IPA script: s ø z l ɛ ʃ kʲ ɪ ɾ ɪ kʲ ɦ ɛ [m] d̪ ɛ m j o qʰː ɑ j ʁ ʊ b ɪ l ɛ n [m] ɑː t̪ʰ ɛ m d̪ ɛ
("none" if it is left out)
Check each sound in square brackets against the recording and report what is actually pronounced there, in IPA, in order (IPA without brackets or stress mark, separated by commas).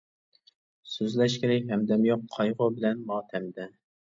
m, m